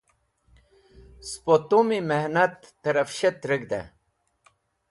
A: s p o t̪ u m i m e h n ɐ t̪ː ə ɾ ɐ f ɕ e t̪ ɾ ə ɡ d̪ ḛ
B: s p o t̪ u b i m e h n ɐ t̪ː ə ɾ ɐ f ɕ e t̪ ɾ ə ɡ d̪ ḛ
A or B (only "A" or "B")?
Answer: A